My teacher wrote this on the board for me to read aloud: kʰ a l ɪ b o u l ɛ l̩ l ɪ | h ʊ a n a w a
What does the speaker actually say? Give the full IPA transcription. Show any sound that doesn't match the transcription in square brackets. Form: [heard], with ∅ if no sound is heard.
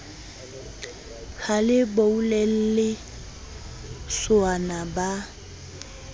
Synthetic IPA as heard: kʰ a l ɪ b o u l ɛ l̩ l ɪ | [s] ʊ a n a [b] a